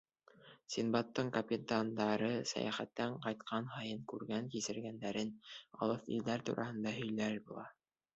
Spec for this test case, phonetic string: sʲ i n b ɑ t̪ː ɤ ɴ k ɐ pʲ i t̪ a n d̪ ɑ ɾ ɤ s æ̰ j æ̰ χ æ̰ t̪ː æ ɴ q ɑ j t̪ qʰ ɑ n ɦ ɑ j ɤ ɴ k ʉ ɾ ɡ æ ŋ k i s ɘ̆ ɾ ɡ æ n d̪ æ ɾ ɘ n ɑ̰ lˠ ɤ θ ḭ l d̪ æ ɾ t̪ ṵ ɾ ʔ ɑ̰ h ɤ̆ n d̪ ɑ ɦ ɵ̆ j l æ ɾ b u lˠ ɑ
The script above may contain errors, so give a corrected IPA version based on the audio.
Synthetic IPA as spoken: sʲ i n b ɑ t̪ː ɤ ɴ k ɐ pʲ i t̪ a n d̪ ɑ ɾ ɤ s æ̰ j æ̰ χ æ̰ t̪ː æ ɴ q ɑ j t̪ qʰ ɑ n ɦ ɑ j ɤ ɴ k ʉ ɾ ɡ æ ŋ k i s ɘ̆ ɾ ɡ æ n d̪ æ ɾ ɘ n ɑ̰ lˠ ɤ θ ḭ l d̪ æ ɾ t̪ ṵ ɾ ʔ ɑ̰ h ɤ̆ n d̪ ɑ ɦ ɵ̆ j l æ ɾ b u lˠ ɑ

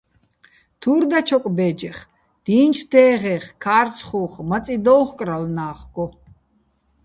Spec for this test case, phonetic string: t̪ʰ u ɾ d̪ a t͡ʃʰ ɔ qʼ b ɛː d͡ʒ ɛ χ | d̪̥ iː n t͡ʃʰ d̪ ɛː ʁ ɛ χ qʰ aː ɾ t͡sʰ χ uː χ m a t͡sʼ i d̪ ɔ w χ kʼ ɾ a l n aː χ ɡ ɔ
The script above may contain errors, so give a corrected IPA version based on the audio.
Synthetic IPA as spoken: t̪ʰ u ɾ d̪ a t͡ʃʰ ɔ kʼ b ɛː d͡ʒ ɛ χ | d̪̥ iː n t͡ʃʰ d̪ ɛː ʁ ɛ χ kʰ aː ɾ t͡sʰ χ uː χ m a t͡sʼ i d̪ ɔ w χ kʼ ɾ a l n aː χ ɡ ɔ

